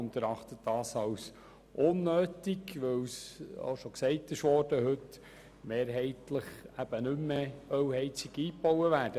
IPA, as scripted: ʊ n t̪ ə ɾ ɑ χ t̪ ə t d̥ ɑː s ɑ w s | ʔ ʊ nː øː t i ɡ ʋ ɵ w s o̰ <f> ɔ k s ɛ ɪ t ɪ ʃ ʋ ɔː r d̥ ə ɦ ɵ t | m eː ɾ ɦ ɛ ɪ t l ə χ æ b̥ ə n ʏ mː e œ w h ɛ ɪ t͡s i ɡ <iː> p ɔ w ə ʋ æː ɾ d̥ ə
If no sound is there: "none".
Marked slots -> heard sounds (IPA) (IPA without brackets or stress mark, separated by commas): ʃ, iː